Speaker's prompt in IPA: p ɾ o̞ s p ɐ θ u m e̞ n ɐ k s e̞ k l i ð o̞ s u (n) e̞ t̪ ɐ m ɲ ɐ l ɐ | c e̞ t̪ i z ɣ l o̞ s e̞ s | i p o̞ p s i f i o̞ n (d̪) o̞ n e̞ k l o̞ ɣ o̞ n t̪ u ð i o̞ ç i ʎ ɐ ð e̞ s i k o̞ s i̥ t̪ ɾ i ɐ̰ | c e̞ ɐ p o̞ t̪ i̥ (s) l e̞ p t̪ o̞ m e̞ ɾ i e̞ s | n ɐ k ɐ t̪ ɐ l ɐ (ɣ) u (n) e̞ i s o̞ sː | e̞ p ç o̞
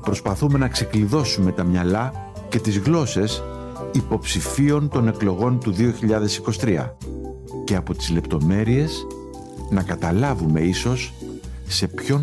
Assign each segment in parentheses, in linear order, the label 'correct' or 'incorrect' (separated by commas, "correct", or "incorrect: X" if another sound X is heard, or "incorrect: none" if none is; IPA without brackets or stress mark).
incorrect: m, incorrect: t̪, incorrect: z, incorrect: v, incorrect: m